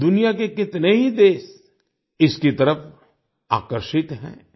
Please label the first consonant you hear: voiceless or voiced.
voiced